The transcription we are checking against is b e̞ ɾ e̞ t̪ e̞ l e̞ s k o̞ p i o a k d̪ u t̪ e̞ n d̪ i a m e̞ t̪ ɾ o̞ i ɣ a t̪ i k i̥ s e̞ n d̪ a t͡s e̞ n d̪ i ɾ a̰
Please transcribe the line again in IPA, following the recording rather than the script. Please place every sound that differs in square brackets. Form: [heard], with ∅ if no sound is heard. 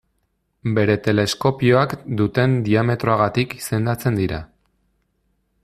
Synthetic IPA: b e̞ ɾ e̞ t̪ e̞ l e̞ s k o̞ p i o a k d̪ u t̪ e̞ n d̪ i a m e̞ t̪ ɾ o̞ [a] ɣ a t̪ i k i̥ s e̞ n d̪ a t͡s e̞ n d̪ i ɾ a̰